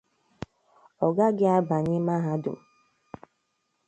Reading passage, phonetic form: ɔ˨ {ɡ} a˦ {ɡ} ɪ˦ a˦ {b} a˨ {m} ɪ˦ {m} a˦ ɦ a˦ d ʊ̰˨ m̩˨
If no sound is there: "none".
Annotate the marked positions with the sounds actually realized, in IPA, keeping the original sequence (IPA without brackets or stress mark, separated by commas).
ɡ, ɡ, b, ɲ, m